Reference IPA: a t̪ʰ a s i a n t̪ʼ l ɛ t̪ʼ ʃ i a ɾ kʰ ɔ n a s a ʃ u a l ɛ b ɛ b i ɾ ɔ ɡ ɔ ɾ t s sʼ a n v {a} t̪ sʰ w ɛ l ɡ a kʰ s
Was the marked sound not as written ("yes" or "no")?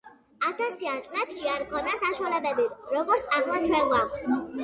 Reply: no